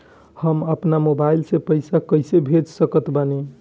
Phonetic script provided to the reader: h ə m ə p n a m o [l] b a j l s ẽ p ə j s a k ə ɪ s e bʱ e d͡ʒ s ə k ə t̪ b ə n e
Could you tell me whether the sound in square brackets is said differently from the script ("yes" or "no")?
yes